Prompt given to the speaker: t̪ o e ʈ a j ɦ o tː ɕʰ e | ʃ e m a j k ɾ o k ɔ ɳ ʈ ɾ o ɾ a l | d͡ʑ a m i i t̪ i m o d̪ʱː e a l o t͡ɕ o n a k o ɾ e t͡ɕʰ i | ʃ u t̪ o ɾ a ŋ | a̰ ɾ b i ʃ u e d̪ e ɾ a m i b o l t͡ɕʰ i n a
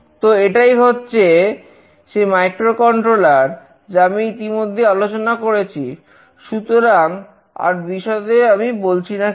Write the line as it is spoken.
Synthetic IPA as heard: t̪ o e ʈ a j ɦ o tː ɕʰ e | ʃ e m a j k ɾ o k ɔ ɳ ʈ ɾ o l a ɾ | d͡ʑ a m i i t̪ i m o d̪ʱː e a l o t͡ɕ o n a k o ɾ e t͡ɕʰ i | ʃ u t̪ o ɾ a ŋ | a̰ ɾ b i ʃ ɔ e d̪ e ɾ a m i b o l t͡ɕʰ i n a